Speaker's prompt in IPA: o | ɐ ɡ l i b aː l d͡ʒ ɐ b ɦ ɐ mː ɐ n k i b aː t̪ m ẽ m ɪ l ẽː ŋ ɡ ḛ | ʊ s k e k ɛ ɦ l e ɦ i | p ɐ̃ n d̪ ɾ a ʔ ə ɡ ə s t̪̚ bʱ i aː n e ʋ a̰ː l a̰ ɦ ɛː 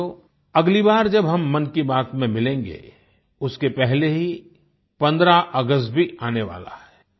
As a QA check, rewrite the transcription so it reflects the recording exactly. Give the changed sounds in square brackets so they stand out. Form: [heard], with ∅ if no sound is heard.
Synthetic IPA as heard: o | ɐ ɡ l i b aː [ɾ] d͡ʒ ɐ b ɦ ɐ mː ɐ n k i b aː t̪ m ẽ m ɪ l ẽː ŋ ɡ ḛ | ʊ s k e [p] ɛ ɦ l e ɦ i | p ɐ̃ n d̪ ɾ a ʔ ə ɡ ə s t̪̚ bʱ i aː n e ʋ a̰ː l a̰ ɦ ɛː